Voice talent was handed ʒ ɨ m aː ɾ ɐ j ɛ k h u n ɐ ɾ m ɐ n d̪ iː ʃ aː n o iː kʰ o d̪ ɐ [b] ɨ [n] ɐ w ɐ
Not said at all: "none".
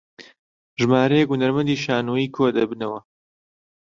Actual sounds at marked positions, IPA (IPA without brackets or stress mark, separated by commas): b, n